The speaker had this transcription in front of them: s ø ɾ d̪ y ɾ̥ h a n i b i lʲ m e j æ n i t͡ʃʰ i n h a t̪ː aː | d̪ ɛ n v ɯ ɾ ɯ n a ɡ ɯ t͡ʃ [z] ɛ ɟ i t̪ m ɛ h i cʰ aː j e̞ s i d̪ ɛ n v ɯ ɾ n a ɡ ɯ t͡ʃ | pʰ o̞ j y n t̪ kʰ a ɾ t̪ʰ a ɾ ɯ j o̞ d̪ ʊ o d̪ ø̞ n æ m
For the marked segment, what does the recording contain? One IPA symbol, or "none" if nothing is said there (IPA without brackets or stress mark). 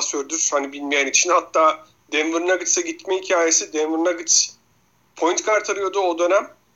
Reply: s